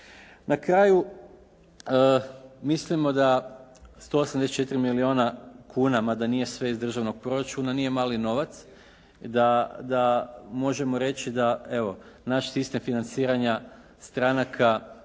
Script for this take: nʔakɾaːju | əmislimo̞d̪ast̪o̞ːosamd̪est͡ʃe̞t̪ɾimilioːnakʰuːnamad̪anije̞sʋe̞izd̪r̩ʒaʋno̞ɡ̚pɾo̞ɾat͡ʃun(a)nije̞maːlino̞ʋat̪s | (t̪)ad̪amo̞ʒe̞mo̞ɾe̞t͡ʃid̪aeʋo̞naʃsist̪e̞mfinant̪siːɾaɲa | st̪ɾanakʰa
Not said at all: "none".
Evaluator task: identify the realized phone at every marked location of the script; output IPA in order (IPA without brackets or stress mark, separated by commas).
a, d̪